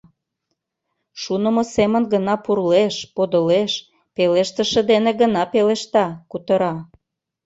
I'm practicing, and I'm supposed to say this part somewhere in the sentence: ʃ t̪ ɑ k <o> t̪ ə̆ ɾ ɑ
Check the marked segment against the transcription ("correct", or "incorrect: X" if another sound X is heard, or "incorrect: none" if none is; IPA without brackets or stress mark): incorrect: u